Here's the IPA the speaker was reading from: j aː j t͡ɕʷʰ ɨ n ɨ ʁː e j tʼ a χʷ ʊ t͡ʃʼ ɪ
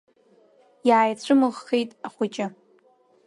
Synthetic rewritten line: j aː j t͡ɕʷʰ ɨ m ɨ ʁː e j tʼ a χʷ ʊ t͡ʃʼ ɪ